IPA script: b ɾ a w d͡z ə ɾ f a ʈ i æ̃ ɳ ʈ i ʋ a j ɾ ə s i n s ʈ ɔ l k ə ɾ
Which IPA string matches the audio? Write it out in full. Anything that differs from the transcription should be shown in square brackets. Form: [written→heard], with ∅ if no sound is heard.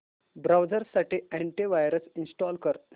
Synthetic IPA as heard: b ɾ a w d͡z ə ɾ [f→s] a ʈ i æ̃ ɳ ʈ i ʋ a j ɾ ə s i n s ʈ ɔ l k ə ɾ

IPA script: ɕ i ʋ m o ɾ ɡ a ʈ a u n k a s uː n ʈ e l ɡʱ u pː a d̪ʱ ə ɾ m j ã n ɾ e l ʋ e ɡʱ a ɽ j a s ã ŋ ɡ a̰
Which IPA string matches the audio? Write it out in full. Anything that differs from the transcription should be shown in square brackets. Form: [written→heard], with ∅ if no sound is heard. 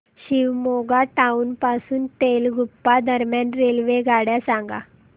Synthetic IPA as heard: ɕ i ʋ m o [ɾ→∅] ɡ a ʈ a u n [k→p] a s uː n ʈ e l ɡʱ u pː a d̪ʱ ə ɾ m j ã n ɾ e l ʋ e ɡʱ a ɽ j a s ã ŋ ɡ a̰

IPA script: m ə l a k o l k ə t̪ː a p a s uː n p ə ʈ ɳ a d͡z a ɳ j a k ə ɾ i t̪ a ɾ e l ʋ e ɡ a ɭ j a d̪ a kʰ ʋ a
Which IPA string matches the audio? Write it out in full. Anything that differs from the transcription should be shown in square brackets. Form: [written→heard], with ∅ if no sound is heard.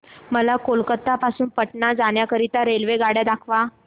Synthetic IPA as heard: m ə l a k o l k ə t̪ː a p a s uː n p ə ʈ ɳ a d͡z a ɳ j a k ə ɾ i t̪ a ɾ e l ʋ e ɡ a [ɭ→ɽ] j a d̪ a kʰ ʋ a

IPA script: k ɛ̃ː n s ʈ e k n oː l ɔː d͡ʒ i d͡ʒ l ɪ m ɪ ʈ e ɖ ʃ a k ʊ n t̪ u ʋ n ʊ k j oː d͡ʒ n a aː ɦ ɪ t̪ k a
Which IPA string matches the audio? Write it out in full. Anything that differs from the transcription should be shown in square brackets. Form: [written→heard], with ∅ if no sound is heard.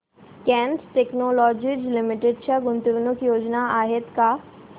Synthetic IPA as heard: k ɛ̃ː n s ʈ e k n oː l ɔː d͡ʒ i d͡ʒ l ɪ m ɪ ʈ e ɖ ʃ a [k→ɡ] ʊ n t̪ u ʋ n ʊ k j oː d͡ʒ n a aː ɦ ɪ t̪ k a

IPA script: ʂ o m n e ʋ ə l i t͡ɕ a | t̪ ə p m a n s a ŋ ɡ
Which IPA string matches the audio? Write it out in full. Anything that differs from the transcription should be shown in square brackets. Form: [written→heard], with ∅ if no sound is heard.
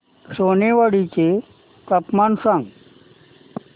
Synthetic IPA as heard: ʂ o [m→∅] n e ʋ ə [l→ɽ] i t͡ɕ [a→e] | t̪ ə p m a n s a ŋ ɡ

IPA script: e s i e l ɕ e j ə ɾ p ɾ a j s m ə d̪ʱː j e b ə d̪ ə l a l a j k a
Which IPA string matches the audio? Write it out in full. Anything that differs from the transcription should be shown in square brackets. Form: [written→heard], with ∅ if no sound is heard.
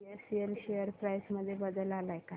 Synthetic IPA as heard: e s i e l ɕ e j ə ɾ p ɾ a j s m ə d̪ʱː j e b ə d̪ ə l a l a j k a

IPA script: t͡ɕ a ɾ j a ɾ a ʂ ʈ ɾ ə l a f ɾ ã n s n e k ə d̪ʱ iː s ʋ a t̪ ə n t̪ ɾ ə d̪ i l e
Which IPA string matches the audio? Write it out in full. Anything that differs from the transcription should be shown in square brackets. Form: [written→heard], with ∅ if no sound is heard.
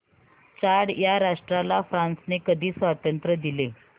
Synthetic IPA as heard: t͡ɕ a [ɾ→ɽ] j a ɾ a ʂ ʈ ɾ [ə→a] l a f ɾ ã n s n e k ə d̪ʱ iː s ʋ a t̪ ə n t̪ ɾ ə d̪ i l e

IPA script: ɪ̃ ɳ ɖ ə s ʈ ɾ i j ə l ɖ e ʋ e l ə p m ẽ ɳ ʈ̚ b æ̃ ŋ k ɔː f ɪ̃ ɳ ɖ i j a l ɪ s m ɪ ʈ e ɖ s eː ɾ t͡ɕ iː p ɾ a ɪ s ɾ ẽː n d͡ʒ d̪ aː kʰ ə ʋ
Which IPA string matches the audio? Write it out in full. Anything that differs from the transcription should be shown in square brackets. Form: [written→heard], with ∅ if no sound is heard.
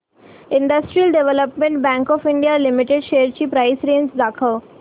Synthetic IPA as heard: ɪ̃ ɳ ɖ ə s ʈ ɾ i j ə l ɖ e ʋ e l ə p m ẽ ɳ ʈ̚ b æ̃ ŋ k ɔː f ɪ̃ ɳ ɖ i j a l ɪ [s→∅] m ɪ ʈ e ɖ [s→ʃ] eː ɾ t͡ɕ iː p ɾ a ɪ s ɾ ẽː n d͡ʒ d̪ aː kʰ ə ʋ

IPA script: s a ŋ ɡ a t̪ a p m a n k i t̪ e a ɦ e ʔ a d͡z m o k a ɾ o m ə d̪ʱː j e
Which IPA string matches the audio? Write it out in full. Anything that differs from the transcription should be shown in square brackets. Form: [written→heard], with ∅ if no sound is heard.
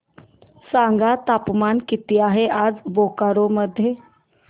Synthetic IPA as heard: s a ŋ ɡ a t̪ a p m a n k i t̪ [e→i] a ɦ e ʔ a d͡z [m→b] o k a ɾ o m ə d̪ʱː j e

